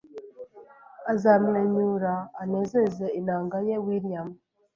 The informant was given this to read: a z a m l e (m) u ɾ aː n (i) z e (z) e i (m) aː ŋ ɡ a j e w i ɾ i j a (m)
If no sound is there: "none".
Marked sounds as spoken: ɲ, e, z, n, m

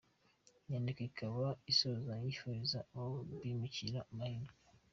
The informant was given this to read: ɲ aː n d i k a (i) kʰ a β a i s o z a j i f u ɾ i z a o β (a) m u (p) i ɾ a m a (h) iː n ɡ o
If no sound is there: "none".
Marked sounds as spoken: i, i, c, h

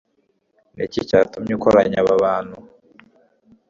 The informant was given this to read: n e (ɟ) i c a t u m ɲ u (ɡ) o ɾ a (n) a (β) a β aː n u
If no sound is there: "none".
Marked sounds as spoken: c, k, ɲ, β

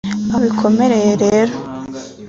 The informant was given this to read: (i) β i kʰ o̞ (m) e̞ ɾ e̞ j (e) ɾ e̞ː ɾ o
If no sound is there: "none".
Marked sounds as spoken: a, m, e

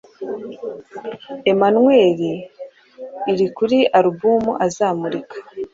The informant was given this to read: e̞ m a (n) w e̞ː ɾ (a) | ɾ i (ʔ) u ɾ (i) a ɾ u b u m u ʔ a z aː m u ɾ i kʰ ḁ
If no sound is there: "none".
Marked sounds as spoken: n, i, k, i

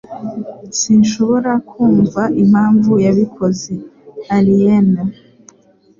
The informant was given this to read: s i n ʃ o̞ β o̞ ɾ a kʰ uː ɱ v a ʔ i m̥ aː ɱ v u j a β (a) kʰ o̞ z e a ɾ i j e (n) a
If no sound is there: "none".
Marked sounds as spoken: i, n

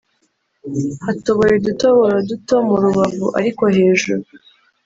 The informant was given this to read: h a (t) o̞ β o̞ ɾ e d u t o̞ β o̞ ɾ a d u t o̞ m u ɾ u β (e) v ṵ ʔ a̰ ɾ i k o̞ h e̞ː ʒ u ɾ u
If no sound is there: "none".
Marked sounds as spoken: t, a

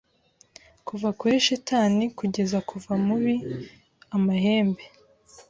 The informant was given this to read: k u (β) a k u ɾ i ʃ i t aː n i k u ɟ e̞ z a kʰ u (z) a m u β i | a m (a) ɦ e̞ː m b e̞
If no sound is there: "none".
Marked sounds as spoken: v, v, a

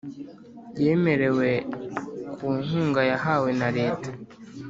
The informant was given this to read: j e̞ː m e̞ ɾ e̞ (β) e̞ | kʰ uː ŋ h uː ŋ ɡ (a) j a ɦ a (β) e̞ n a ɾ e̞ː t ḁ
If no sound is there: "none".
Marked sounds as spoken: w, a, w

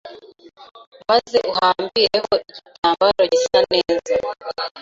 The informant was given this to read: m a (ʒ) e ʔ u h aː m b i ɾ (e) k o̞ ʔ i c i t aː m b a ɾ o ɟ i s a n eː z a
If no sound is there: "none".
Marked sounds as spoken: z, e

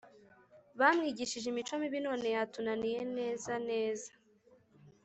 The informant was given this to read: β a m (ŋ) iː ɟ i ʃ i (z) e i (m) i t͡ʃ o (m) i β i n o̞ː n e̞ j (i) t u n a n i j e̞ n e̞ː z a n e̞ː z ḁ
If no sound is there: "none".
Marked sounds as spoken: ŋ, ʒ, m, m, a

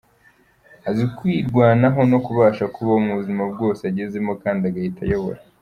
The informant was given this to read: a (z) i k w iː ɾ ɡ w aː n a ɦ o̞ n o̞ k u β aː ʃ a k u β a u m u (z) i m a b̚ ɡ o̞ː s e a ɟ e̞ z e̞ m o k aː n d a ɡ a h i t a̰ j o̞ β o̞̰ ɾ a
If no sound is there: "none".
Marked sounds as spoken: z, z

